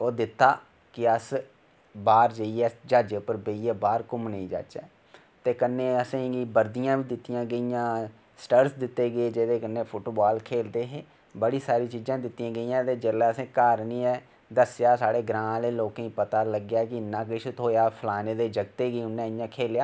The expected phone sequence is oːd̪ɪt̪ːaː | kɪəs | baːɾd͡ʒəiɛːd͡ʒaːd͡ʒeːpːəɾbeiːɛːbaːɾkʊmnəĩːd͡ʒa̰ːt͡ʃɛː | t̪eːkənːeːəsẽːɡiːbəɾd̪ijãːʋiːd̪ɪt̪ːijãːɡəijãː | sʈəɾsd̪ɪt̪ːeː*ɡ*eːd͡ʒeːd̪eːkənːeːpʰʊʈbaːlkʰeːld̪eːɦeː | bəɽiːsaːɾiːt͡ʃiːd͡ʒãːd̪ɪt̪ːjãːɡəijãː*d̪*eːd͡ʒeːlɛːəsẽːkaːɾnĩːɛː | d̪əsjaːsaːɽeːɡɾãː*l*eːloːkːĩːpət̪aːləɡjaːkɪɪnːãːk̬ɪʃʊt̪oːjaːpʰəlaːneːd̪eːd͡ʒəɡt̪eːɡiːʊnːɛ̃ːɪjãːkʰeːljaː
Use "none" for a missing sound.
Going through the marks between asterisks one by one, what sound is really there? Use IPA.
ɡ, t̪, l

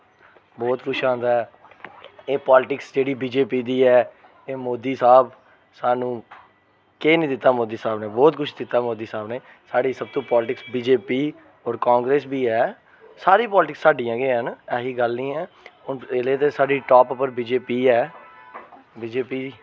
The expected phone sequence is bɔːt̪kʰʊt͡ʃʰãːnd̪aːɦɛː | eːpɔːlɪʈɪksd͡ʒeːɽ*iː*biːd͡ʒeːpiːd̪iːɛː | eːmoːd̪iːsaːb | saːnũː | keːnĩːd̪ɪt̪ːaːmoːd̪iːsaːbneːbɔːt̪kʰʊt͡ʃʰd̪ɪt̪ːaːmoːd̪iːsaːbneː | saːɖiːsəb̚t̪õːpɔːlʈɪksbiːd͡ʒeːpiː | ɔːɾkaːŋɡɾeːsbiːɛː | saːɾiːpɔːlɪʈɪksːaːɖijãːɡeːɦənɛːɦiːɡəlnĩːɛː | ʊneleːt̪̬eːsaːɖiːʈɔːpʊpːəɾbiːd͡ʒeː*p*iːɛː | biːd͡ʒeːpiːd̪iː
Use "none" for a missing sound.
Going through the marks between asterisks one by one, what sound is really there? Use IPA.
iː, p

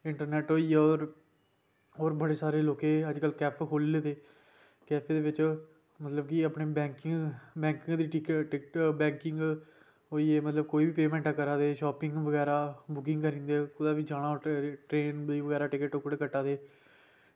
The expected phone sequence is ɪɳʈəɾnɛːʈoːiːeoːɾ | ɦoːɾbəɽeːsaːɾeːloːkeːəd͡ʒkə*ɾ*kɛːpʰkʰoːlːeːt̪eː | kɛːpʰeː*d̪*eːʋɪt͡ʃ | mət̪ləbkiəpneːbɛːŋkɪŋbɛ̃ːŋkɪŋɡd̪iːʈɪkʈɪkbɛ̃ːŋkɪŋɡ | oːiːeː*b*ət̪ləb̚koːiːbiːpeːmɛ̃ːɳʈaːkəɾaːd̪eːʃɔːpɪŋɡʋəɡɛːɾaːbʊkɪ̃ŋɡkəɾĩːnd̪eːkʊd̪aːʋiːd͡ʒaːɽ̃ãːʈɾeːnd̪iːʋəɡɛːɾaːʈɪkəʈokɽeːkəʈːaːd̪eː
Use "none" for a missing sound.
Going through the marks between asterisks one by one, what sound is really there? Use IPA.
l, d̪, m

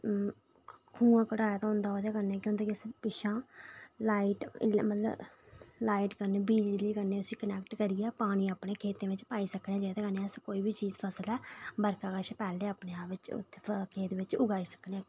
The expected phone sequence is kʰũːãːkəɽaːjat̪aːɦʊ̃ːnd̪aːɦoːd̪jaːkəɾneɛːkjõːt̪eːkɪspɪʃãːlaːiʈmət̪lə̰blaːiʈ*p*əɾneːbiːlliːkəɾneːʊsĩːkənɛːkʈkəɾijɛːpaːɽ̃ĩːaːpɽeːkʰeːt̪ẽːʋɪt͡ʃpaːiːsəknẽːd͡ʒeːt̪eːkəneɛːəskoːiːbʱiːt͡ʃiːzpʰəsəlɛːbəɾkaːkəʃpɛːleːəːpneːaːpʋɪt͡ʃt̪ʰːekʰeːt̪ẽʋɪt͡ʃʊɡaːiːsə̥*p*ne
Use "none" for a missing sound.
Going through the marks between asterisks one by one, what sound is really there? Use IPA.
k, k

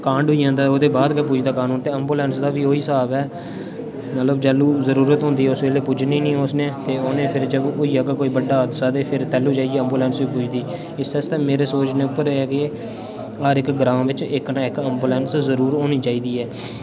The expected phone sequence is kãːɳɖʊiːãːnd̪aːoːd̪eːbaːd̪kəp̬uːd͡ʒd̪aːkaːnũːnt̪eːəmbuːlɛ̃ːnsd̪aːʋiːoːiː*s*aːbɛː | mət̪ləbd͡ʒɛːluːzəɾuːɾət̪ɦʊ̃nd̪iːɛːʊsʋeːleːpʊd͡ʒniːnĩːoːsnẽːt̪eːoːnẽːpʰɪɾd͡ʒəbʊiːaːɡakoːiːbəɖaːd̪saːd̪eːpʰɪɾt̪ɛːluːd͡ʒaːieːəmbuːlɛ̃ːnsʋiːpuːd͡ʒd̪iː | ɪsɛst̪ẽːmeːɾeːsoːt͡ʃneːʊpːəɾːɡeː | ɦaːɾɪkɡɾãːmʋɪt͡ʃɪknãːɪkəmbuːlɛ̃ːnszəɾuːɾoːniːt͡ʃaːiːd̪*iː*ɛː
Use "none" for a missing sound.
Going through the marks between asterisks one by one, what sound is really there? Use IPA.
s, iː

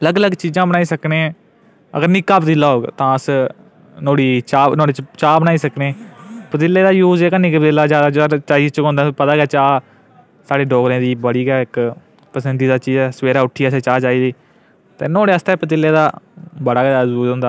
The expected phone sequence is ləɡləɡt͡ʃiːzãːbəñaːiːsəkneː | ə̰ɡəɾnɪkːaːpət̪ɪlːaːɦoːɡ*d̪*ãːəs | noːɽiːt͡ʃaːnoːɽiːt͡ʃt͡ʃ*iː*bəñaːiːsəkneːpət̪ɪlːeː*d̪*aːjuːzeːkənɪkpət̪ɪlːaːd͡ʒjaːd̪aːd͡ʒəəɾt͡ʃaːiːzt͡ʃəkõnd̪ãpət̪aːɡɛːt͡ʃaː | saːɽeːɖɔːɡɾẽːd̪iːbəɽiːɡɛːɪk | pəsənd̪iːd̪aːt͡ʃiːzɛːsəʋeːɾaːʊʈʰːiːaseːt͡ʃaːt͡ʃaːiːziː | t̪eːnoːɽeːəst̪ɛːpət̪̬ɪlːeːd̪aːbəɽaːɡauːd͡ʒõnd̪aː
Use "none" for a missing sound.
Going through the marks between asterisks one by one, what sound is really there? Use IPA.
t̪, aː, d̪

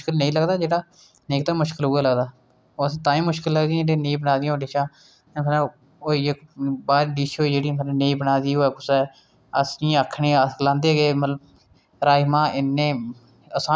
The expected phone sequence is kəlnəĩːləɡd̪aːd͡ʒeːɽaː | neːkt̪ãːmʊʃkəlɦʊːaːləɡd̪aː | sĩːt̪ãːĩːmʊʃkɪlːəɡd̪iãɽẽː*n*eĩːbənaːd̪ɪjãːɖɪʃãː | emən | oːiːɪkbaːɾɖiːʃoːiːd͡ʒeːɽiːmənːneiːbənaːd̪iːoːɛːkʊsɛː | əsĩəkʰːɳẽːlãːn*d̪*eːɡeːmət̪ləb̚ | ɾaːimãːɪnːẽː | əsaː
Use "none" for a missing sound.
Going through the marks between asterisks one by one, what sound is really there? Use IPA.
n, d̪

